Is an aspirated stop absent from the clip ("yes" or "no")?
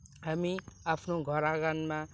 no